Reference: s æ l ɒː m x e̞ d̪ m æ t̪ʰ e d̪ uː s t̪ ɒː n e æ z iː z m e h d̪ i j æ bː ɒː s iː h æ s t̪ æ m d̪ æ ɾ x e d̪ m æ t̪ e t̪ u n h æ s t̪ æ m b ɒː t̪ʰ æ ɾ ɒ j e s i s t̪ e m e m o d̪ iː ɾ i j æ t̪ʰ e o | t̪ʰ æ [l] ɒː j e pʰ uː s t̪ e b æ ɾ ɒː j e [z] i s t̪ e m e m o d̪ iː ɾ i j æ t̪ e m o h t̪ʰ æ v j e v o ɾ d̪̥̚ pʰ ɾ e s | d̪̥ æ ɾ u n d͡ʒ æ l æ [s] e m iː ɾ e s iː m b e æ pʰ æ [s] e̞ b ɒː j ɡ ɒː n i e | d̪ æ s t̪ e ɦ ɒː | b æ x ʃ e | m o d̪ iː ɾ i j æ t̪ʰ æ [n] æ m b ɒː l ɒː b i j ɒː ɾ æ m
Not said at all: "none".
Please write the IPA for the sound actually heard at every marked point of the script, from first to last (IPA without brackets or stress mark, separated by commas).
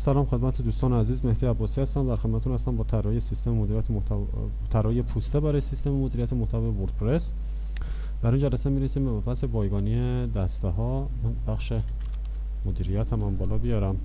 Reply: ɾ, s, s, s, m